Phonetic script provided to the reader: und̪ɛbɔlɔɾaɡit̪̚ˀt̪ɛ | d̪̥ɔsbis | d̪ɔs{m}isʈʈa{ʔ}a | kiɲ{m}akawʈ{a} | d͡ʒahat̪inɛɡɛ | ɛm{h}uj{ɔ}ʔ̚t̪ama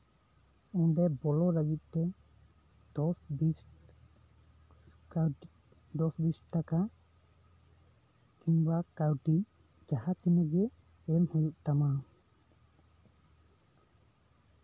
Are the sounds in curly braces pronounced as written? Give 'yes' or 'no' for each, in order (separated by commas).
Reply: no, no, no, no, yes, no